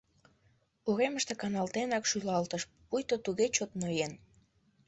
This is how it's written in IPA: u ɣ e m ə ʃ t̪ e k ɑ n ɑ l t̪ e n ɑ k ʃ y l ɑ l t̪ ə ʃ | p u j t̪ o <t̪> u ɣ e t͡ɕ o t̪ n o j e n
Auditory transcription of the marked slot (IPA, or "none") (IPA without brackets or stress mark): t̪